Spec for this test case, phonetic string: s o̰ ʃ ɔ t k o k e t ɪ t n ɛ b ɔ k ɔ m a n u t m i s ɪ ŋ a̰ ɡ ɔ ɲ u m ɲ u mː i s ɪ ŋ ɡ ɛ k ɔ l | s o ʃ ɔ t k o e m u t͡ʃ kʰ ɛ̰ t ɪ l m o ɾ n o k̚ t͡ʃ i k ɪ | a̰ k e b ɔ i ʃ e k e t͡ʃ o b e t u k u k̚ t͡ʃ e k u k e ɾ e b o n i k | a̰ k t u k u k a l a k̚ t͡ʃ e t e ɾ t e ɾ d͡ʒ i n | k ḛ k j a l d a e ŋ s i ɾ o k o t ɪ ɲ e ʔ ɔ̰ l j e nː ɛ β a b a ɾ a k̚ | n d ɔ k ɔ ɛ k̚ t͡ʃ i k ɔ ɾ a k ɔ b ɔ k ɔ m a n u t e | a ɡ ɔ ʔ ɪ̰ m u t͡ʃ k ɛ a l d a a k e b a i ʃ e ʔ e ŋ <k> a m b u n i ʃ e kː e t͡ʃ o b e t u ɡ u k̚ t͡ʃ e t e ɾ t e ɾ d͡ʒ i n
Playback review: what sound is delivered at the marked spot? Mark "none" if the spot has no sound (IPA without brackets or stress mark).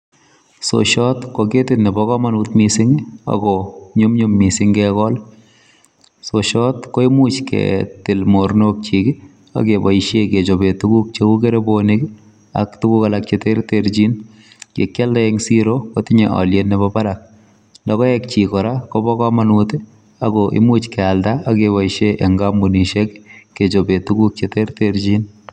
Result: ɡ